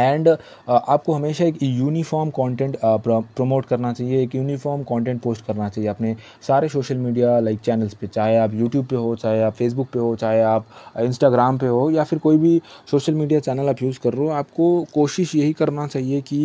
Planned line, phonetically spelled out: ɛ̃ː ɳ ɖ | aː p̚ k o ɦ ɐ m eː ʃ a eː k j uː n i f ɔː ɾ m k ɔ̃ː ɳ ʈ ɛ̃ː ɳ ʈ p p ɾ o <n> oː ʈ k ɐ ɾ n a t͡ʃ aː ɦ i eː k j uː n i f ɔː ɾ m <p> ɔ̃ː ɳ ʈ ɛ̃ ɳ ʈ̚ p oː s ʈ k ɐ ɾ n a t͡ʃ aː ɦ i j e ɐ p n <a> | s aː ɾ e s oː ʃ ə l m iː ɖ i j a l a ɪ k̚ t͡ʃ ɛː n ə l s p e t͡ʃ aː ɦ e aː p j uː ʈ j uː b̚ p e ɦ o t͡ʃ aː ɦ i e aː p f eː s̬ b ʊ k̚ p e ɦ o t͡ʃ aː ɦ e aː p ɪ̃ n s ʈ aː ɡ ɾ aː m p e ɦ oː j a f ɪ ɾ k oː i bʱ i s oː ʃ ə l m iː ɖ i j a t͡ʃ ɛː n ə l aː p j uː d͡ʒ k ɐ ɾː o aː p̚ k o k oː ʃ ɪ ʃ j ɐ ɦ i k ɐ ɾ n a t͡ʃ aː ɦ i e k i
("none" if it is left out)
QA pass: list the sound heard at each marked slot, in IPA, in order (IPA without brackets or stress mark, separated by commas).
m, k, e